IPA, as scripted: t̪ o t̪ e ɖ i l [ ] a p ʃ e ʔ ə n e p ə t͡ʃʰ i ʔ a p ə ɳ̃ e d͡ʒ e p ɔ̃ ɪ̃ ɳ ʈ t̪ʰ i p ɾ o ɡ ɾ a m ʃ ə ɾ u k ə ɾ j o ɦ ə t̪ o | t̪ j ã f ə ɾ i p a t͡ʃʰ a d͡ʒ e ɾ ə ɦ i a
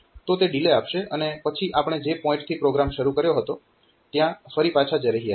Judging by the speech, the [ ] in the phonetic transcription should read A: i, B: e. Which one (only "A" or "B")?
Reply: B